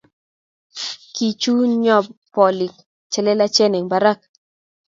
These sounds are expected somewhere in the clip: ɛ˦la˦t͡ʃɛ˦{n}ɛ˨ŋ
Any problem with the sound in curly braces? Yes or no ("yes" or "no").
no